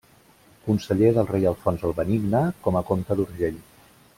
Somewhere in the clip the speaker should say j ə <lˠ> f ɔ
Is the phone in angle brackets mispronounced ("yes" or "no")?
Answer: no